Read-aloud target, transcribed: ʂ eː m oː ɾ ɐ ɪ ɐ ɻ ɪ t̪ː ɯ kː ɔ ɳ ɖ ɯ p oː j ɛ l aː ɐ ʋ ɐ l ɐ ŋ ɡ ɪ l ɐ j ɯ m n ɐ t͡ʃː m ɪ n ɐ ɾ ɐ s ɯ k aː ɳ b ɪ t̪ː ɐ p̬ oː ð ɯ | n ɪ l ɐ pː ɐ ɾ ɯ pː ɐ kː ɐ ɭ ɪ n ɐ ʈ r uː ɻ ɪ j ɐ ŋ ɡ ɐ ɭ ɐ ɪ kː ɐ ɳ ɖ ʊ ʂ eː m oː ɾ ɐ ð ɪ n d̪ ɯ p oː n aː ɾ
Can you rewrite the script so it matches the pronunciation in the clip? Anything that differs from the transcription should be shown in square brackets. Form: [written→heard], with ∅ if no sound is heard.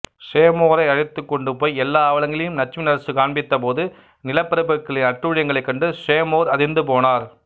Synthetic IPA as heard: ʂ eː m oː ɾ ɐ ɪ ɐ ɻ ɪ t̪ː ɯ kː ɔ ɳ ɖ ɯ p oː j ɛ [l→lː] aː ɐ ʋ ɐ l ɐ ŋ ɡ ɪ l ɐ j ɯ m n ɐ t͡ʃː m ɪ n ɐ ɾ ɐ s ɯ k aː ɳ b ɪ t̪ː ɐ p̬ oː ð ɯ | n ɪ l ɐ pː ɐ ɾ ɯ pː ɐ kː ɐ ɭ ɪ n ɐ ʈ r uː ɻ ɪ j ɐ ŋ ɡ ɐ ɭ ɐ ɪ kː ɐ ɳ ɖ [ʊ→ɯ] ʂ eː m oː ɾ ɐ ð ɪ n d̪ ɯ p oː n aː ɾ